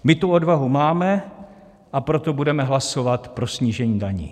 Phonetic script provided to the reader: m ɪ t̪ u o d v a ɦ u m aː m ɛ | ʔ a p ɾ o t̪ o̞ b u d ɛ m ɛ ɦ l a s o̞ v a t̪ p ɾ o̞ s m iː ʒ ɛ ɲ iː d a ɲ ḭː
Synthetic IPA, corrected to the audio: m ɪ t̪ u o d v a ɦ u m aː m ɛ | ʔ a p ɾ o t̪ o̞ b u d ɛ m ɛ ɦ l a s o̞ v a t̪ p ɾ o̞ s ɲ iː ʒ ɛ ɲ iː d a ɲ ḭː